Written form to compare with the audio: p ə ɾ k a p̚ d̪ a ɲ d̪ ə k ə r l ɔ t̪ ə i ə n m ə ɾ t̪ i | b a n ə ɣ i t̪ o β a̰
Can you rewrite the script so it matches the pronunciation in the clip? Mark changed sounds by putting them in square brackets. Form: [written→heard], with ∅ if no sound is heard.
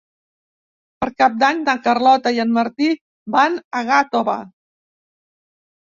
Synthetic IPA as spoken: p ə ɾ k a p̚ d̪ a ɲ d̪ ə k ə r l ɔ t̪ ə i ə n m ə ɾ t̪ i | b a n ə ɣ [i→a] t̪ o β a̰